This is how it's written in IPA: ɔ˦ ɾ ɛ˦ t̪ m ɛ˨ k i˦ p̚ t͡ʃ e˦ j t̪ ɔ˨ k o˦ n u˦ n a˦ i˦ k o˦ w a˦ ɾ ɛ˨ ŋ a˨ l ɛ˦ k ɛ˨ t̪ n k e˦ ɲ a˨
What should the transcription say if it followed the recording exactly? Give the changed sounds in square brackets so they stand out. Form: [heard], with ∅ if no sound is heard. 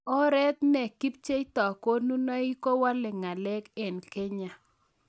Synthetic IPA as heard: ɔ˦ ɾ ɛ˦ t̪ [n] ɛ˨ k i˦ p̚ t͡ʃ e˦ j t̪ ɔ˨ k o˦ n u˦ n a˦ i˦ k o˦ w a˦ [l] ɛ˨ ŋ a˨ l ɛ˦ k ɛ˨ [∅] n k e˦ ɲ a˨